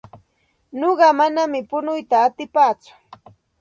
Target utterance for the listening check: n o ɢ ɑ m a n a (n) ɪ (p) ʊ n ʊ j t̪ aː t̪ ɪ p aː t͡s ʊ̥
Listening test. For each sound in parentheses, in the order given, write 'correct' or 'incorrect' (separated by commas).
incorrect, correct